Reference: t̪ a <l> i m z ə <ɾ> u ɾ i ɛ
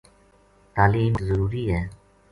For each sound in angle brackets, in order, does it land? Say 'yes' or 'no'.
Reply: yes, yes

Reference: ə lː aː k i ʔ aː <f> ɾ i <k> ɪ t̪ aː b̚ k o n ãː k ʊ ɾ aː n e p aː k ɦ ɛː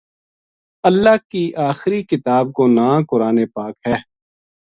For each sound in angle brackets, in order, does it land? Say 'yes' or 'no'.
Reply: no, yes

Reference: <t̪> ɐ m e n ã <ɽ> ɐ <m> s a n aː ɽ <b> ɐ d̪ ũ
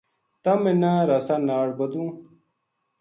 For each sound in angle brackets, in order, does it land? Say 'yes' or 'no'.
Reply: yes, no, no, yes

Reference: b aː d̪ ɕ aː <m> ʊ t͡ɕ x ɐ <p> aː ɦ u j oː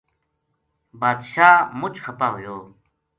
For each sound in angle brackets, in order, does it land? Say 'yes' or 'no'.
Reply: yes, yes

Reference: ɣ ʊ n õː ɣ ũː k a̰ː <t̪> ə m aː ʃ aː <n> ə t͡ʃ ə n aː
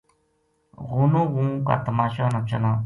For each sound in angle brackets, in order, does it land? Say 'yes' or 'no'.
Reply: yes, yes

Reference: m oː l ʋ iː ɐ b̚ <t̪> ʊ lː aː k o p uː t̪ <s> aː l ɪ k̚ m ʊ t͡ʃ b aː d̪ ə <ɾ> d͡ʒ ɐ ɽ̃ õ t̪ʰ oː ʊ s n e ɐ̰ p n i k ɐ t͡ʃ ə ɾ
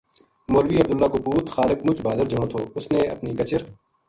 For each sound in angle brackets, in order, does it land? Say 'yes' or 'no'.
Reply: no, no, yes

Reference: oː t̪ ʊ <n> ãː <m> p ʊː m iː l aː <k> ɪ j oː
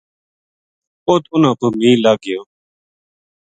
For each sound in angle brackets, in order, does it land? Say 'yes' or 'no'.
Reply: yes, no, no

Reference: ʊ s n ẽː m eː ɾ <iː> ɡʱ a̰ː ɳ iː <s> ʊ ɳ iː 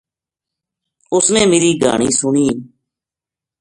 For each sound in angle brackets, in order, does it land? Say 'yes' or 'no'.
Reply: yes, yes

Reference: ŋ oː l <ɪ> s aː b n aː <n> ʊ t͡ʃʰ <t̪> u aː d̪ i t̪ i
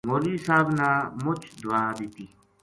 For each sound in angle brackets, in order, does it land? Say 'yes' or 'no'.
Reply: no, no, no

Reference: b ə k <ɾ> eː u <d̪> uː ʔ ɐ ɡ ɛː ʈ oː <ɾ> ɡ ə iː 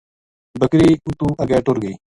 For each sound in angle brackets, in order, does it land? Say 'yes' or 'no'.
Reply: yes, no, yes

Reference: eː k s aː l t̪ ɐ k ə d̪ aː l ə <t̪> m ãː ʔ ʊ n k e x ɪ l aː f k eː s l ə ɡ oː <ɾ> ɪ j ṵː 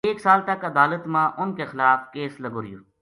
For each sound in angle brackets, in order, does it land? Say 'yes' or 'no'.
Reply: yes, yes

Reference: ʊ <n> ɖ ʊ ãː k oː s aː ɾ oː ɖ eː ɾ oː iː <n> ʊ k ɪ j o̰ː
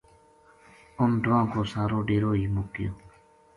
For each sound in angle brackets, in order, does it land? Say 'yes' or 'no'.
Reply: yes, no

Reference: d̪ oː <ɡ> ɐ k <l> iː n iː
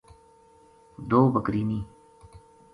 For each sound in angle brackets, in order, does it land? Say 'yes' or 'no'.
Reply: no, no

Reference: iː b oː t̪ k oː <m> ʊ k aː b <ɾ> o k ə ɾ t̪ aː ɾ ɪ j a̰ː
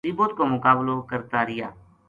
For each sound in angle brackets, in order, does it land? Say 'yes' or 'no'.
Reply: yes, no

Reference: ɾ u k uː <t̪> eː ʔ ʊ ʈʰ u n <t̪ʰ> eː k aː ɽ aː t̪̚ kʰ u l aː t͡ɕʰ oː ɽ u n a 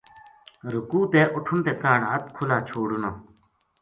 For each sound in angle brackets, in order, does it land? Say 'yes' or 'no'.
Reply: yes, no

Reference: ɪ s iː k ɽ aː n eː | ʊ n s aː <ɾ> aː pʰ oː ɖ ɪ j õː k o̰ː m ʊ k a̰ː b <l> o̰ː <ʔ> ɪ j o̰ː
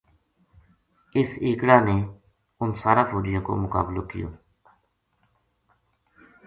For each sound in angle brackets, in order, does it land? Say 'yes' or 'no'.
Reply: yes, yes, no

